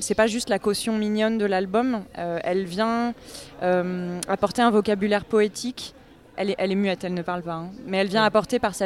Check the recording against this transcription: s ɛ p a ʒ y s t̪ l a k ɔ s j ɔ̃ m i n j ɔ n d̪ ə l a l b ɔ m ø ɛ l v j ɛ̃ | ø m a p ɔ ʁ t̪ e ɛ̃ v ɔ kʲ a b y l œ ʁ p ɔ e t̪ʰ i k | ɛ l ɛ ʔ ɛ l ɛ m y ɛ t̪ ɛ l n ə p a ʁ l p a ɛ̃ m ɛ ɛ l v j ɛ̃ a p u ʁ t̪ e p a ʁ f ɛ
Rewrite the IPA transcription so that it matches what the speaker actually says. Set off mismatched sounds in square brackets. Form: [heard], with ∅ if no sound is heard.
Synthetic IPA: s ɛ p a ʒ y s t̪ l a k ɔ s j ɔ̃ m i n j ɔ n d̪ ə l a l b ɔ m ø ɛ l v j ɛ̃ | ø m a p ɔ ʁ t̪ e ɛ̃ v ɔ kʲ a b y l [ɛ] ʁ p ɔ e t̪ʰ i k | ɛ l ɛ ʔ ɛ l ɛ m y ɛ t̪ ɛ l n ə p a ʁ l p a ɛ̃ m ɛ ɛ l v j ɛ̃ a p [ɔ] ʁ t̪ e p a ʁ [s] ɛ